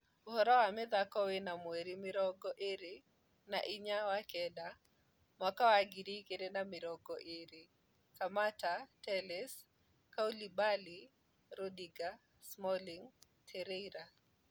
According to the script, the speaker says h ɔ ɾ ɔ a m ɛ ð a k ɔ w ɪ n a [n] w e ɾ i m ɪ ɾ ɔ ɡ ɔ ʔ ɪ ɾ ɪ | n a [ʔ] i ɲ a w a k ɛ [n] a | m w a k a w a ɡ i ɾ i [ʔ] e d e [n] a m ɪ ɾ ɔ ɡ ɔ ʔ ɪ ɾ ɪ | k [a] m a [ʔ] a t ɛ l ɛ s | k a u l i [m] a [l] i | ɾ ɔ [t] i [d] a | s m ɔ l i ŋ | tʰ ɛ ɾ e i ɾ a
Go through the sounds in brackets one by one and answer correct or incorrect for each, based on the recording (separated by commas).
incorrect, correct, incorrect, incorrect, correct, correct, incorrect, incorrect, correct, incorrect, incorrect